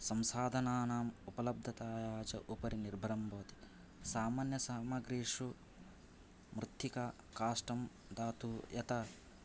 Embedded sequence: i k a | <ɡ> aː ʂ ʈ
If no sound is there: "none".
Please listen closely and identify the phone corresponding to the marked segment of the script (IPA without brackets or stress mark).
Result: k